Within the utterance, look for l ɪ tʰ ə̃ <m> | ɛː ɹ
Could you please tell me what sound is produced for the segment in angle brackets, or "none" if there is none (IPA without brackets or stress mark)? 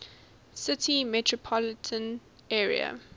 n